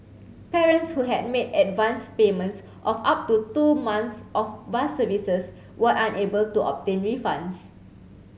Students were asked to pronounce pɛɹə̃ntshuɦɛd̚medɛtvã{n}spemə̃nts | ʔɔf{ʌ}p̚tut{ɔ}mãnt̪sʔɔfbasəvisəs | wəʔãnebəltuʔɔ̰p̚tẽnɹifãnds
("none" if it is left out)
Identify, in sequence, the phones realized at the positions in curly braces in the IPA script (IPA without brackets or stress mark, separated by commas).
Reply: n, a, u